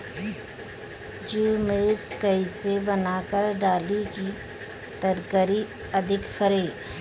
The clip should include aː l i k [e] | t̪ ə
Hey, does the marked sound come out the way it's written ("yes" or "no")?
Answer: no